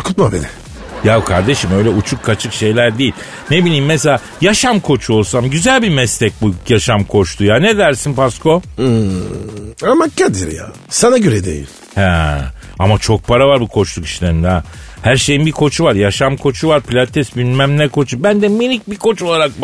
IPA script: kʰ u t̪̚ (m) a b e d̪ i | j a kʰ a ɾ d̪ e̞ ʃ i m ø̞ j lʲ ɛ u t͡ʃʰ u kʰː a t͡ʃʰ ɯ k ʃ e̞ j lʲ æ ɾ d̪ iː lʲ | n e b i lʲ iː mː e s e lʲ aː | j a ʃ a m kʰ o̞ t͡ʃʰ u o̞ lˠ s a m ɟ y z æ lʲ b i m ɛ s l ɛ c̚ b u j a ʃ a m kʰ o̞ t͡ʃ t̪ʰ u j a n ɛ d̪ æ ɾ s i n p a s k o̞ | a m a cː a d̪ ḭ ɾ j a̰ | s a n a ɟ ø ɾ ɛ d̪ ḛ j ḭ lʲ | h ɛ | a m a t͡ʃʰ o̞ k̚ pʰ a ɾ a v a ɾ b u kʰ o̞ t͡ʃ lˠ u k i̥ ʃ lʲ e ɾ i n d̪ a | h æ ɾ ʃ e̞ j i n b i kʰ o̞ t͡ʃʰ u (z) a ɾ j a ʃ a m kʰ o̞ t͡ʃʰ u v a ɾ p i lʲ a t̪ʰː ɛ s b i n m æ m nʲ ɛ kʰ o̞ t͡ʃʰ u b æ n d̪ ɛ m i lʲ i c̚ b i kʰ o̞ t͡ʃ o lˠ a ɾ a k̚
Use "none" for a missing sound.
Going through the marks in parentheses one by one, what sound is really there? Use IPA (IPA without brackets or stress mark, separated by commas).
m, v